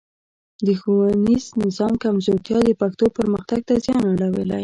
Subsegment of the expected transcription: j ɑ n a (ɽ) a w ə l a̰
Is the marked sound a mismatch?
no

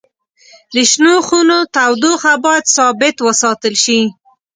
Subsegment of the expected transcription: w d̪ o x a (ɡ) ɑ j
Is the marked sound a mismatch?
yes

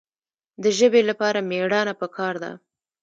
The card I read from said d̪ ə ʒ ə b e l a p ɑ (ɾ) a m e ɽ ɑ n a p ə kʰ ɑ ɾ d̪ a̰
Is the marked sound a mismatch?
no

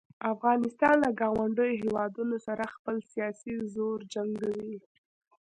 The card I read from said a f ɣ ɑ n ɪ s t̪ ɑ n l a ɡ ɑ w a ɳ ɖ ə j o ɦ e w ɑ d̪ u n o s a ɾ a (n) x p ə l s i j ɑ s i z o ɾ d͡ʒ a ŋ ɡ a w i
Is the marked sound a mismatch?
yes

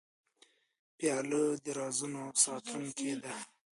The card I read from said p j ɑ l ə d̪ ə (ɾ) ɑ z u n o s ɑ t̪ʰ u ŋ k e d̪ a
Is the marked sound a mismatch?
no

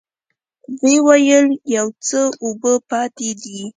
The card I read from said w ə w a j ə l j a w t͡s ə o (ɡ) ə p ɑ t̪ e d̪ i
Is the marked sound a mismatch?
yes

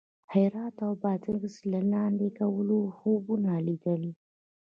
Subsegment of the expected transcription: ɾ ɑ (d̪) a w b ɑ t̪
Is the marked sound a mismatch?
yes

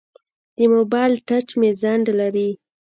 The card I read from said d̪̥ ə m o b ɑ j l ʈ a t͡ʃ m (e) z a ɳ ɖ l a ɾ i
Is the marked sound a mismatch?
no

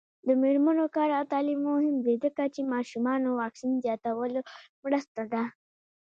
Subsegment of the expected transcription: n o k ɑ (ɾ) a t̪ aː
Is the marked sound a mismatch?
no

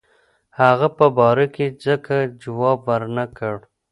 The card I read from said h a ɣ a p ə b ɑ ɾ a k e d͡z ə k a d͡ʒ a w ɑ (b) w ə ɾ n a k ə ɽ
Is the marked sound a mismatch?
no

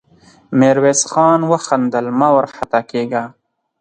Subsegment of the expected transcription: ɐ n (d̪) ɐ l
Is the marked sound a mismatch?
no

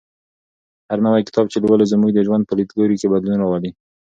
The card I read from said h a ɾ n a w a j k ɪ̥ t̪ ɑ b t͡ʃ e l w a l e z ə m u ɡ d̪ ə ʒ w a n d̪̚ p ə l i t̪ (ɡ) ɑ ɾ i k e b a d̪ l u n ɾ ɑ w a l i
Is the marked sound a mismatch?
no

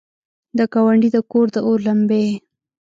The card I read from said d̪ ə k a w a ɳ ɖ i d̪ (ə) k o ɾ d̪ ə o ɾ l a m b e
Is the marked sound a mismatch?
no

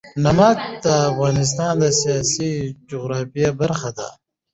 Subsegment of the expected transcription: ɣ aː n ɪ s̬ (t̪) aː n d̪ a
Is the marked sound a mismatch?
no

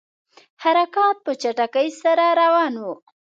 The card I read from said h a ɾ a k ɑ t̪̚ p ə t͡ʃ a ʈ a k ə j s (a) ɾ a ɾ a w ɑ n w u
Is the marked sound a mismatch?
no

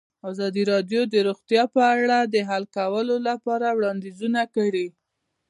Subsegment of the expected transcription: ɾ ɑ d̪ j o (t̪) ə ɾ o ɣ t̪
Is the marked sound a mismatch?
yes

